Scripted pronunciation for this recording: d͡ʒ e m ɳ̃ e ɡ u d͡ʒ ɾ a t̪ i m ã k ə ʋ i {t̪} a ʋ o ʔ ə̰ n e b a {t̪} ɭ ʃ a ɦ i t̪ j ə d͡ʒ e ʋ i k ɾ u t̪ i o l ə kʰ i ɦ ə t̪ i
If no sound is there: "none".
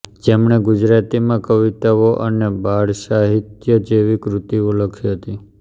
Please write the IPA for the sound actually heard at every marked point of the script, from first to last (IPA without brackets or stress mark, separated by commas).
t̪, none